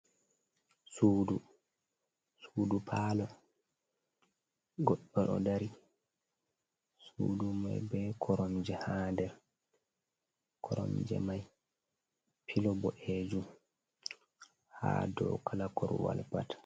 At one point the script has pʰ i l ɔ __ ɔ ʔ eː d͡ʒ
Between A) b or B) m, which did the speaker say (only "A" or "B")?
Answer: A